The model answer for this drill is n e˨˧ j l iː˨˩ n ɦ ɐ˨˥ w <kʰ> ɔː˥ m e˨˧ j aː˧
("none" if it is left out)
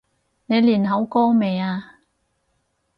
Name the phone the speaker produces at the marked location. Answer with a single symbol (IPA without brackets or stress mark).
k